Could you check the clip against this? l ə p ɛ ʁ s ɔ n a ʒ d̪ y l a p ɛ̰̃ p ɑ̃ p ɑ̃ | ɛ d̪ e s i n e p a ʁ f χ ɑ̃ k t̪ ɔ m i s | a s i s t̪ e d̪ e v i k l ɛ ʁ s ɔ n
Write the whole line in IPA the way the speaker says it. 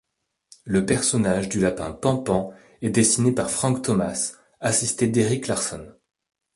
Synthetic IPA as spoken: l ə p ɛ ʁ s ɔ n a ʒ d̪ y l a p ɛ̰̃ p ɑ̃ p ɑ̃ | ɛ d̪ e s i n e p a ʁ f χ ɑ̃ k t̪ ɔ m a s | a s i s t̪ e d̪ e ʁ i k l a ʁ s ɔ n